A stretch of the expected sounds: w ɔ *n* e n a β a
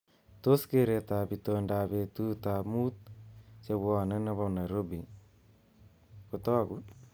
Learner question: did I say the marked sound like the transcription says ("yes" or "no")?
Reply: yes